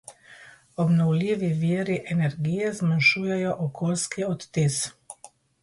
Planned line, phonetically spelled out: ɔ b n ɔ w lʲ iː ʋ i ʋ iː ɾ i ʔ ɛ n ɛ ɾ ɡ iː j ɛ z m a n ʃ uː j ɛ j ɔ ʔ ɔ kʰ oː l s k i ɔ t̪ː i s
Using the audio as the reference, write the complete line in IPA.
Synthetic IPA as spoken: ɔ b n ɔ w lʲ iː ʋ i ʋ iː ɾ i ʔ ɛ n ɛ ɾ ɡ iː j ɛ z m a n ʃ uː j ɛ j ɔ ʔ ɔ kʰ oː l s k i ɔ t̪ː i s

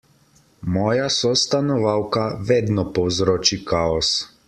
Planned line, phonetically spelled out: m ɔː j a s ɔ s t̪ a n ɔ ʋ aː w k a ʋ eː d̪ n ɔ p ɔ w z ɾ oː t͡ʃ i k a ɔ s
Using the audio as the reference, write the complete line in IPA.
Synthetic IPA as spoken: m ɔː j a s ɔ s t̪ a n ɔ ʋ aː w k a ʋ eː d̪ n ɔ p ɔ w z ɾ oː t͡ʃ i k a ɔ s

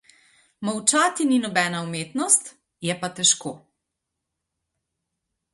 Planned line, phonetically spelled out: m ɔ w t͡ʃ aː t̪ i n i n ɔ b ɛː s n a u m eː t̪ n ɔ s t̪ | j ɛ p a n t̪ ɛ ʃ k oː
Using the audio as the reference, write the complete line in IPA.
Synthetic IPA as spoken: m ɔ w t͡ʃ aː t̪ i n i n ɔ b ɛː n a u m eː t̪ n ɔ s t̪ | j ɛ p a t̪ ɛ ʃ k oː

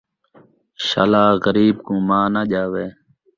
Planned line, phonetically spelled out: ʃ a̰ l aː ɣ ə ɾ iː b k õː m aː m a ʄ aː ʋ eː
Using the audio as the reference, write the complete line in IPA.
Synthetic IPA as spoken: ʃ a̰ l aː ɣ ə ɾ iː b k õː m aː n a ʄ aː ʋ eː

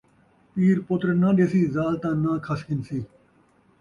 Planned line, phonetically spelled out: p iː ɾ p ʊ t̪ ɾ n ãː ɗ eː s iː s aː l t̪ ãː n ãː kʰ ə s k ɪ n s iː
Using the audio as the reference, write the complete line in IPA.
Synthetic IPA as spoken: p iː ɾ p ʊ t̪ ɾ n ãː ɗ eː s iː z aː l t̪ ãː n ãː kʰ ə s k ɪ n s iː

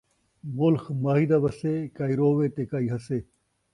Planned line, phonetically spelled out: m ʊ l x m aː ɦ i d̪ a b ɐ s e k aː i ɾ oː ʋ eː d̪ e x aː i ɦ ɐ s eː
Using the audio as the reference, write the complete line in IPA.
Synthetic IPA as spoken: m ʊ l x m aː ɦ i d̪ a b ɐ s e k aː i ɾ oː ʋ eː t̪ e k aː i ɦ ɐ s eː

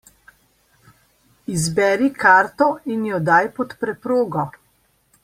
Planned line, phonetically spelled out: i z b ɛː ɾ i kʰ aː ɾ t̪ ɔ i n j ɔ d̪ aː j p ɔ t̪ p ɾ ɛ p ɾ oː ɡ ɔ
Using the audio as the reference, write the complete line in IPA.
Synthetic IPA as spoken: i z b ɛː ɾ i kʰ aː ɾ t̪ ɔ i n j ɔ d̪ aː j p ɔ t̪ p ɾ ɛ p ɾ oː ɡ ɔ

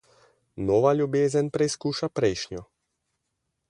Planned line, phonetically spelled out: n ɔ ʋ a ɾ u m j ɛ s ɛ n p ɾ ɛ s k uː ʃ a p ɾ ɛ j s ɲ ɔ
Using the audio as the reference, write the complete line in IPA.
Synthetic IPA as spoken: n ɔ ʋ a ʎ u b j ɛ z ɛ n p ɾ ɛ s k uː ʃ a p ɾ ɛ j ʃ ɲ ɔ

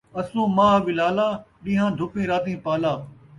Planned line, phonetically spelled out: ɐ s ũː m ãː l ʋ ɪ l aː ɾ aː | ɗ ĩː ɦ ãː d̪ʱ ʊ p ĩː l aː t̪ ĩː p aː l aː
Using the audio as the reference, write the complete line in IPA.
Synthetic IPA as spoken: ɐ s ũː m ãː ʋ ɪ l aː l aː | ɗ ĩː ɦ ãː d̪ʱ ʊ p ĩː ɾ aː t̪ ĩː p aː l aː

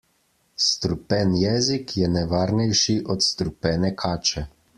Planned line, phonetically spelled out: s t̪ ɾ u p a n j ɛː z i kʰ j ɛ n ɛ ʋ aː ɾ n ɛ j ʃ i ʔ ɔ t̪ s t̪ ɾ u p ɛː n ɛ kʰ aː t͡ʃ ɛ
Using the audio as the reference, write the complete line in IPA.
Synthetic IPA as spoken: s t̪ ɾ u p ɛ n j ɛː z i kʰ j ɛ n ɛ ʋ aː ɾ n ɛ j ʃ i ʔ ɔ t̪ s t̪ ɾ u p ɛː n ɛ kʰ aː t͡ʃ ɛ

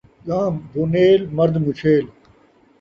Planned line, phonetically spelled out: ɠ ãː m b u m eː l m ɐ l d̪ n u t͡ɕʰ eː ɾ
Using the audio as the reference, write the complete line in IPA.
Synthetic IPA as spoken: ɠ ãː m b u n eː l m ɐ ɾ d̪ m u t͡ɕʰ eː l

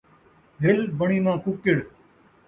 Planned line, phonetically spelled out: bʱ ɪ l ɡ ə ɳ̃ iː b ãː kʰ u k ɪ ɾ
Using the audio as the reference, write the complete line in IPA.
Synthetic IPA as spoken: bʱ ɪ l b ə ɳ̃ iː m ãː k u k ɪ ɽ

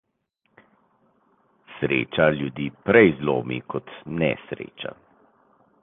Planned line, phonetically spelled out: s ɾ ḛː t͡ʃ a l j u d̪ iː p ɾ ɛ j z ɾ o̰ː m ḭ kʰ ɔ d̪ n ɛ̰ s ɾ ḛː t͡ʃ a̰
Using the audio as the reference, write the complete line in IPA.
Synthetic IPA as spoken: s ɾ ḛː t͡ʃ a l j u d̪ iː p ɾ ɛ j z l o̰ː m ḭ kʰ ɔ t̪ n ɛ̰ s ɾ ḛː t͡ʃ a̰

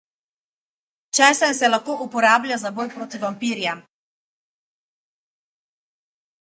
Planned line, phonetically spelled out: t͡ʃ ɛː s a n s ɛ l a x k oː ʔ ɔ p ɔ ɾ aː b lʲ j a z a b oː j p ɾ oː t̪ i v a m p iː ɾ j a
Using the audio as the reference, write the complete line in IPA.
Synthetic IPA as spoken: t͡ʃ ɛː s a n s ɛ l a x k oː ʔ u p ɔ ɾ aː b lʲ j a z a b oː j p ɾ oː t̪ i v a m p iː ɾ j a

